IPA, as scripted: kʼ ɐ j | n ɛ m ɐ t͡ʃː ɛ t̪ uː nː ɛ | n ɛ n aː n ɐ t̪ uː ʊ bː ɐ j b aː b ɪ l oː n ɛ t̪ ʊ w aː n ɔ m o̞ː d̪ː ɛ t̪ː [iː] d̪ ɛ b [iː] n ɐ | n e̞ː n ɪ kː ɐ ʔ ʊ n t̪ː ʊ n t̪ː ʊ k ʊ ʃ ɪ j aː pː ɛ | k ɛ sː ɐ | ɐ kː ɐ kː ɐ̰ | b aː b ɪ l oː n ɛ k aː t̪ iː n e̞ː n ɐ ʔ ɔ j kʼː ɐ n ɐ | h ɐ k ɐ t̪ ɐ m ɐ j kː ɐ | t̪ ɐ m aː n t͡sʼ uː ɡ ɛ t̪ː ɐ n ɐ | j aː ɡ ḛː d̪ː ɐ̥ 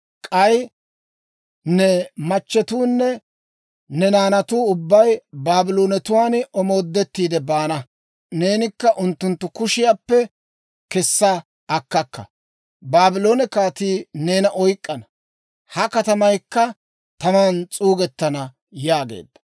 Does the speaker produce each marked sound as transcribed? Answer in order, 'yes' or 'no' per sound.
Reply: yes, no

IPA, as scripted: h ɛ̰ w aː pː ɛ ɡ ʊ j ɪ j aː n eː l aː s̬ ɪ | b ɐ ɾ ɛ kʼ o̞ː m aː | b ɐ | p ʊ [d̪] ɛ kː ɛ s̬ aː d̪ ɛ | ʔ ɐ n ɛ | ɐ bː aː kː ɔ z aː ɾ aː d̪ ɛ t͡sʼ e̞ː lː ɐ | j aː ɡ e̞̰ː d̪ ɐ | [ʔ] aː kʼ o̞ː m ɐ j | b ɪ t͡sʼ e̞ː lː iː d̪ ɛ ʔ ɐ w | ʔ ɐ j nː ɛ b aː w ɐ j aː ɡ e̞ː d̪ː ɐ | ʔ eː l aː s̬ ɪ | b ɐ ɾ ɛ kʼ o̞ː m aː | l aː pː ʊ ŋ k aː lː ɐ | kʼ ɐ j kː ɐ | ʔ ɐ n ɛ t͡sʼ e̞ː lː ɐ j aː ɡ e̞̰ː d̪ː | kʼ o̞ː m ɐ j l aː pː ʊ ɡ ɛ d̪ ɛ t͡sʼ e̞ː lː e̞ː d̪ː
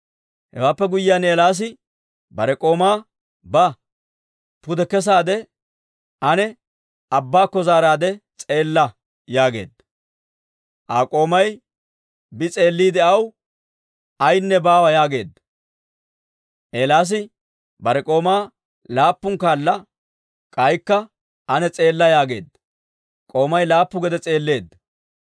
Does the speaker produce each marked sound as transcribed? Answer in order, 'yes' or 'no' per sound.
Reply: yes, yes

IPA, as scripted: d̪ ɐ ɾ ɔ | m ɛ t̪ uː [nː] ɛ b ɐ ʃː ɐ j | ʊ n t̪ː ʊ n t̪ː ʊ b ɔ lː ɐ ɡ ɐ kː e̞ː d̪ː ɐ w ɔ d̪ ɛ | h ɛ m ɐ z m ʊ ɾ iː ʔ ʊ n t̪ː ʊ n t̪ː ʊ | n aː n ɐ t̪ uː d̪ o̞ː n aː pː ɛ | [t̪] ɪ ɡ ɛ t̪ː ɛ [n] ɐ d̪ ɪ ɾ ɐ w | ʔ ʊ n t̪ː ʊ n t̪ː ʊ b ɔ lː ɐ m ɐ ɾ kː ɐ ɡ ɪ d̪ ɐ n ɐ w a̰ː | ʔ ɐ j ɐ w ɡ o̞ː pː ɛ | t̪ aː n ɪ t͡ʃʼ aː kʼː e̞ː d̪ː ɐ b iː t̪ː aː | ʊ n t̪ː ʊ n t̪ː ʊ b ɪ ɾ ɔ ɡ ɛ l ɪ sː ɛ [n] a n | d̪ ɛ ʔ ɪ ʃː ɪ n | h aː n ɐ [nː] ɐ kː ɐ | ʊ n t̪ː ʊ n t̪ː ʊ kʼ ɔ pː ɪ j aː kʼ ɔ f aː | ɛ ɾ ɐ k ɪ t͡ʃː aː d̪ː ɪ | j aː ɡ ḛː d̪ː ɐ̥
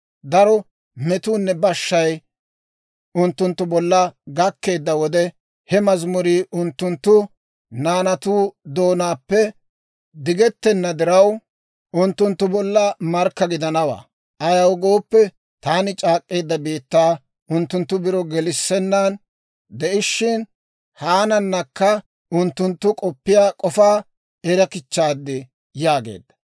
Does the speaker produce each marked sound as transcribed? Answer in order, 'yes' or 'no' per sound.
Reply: yes, no, no, no, yes

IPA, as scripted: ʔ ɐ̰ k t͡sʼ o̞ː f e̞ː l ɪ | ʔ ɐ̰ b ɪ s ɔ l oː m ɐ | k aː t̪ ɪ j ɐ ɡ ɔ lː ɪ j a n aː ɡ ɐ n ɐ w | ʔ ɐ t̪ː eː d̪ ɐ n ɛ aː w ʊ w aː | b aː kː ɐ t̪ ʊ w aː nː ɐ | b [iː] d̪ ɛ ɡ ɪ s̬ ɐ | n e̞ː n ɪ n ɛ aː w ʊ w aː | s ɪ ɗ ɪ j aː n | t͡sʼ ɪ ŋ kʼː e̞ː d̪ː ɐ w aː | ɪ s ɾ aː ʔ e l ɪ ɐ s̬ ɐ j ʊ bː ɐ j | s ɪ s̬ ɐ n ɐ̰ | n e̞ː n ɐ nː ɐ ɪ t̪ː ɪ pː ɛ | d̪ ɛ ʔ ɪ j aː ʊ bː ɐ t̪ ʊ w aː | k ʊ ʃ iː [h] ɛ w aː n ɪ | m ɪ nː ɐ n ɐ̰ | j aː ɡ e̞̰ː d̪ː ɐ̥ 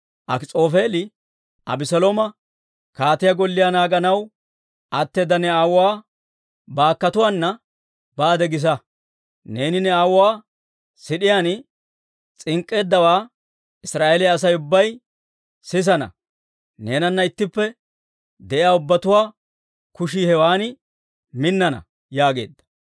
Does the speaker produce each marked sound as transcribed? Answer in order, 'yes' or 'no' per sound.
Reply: no, yes

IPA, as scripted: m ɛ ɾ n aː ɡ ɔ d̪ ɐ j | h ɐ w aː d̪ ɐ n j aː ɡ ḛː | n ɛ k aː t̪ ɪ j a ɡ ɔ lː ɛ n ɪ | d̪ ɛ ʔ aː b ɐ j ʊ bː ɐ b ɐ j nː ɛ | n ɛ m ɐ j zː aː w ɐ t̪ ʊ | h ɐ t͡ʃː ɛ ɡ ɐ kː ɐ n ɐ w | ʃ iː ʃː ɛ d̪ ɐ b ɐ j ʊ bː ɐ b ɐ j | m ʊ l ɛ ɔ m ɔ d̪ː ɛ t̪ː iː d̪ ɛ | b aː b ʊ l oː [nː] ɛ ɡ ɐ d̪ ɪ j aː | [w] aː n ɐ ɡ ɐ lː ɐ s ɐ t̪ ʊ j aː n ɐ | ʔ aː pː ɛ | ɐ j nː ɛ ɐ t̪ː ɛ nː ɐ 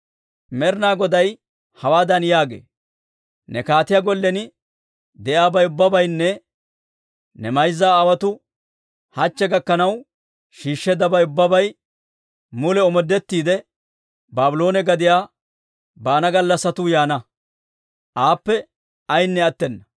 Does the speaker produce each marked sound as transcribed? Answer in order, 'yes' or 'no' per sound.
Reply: no, no

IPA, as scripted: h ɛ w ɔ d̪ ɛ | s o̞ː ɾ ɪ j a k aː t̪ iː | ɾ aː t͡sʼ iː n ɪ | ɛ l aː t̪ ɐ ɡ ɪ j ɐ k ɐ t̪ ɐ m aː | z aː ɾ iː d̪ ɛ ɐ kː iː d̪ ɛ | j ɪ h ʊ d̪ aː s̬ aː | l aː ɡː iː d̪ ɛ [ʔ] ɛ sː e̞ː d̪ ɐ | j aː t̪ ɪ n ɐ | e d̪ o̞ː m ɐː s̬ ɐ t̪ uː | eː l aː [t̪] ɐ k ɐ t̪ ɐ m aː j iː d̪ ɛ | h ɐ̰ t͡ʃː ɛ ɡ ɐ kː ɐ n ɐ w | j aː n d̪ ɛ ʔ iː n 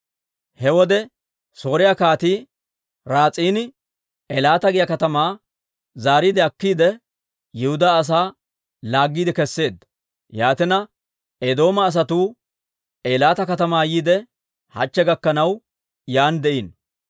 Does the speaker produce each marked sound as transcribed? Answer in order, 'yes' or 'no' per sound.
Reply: no, yes

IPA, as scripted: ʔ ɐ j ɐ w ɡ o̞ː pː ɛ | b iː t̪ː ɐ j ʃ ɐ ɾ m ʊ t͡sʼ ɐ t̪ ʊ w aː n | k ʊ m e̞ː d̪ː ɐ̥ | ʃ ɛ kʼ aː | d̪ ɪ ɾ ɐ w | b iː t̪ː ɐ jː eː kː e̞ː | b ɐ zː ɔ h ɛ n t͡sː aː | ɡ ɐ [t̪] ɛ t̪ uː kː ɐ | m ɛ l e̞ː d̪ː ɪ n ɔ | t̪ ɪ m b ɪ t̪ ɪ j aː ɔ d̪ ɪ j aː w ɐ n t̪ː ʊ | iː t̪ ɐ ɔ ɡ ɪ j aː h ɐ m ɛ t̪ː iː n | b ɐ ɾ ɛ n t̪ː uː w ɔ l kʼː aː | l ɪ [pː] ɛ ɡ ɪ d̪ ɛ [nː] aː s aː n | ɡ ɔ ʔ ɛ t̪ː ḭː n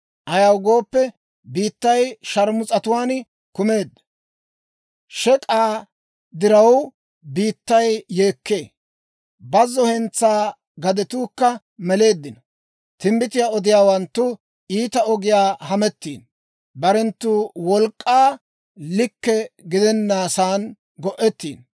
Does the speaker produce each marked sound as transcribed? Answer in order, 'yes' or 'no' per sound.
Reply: no, no, yes

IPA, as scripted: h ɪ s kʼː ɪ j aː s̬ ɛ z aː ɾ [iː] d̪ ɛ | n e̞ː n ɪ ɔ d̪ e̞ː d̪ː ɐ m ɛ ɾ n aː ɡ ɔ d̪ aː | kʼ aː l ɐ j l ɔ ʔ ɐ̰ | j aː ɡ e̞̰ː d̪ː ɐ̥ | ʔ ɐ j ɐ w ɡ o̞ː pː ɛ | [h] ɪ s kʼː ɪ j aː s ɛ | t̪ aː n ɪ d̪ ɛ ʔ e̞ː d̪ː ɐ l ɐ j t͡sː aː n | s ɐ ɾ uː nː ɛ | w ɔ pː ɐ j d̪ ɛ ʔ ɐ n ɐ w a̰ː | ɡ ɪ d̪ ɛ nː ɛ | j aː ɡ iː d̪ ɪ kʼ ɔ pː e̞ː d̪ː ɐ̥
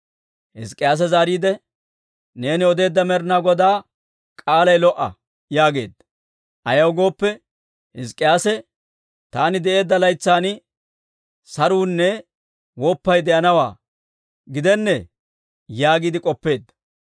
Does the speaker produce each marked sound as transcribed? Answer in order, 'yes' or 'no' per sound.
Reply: yes, yes

